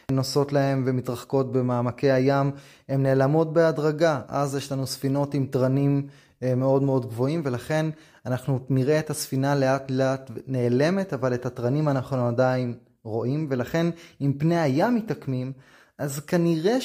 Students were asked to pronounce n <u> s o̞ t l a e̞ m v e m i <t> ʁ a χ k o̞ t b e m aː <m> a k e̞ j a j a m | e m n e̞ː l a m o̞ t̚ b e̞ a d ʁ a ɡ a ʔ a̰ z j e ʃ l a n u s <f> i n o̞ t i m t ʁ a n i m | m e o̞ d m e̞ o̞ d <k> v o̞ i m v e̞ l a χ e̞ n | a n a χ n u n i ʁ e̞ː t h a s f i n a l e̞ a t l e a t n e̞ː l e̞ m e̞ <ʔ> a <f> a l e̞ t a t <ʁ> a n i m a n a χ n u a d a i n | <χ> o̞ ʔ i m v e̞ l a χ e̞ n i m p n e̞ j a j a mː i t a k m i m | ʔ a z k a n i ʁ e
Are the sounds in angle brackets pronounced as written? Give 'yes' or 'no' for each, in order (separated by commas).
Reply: no, yes, yes, yes, no, no, no, yes, no